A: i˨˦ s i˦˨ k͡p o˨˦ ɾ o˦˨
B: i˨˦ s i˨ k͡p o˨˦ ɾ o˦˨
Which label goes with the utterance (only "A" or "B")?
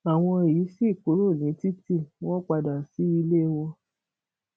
A